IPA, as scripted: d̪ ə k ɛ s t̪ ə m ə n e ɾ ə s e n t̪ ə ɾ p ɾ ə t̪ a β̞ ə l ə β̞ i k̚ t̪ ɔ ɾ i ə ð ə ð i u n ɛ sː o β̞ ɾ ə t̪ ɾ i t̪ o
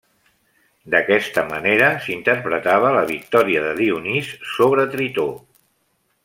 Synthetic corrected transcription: d̪ ə k ɛ s t̪ ə m ə n e ɾ ə s i n t̪ ə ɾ p ɾ ə t̪ a β̞ ə l ə β̞ i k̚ t̪ ɔ ɾ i ə ð ə ð i u n i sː o β̞ ɾ ə t̪ ɾ i t̪ o